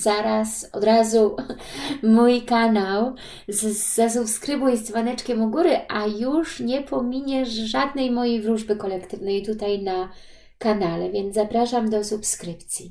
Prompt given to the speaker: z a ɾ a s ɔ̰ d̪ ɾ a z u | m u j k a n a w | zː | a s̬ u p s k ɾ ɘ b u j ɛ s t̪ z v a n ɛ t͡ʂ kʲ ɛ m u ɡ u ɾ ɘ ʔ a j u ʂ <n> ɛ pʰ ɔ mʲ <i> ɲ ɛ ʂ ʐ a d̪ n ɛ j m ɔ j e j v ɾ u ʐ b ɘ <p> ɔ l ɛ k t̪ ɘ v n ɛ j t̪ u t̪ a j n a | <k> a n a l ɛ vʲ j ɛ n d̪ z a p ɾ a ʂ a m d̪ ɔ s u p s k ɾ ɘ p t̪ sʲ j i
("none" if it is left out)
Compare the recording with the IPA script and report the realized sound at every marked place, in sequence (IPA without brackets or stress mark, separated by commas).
ɲ, i, k, k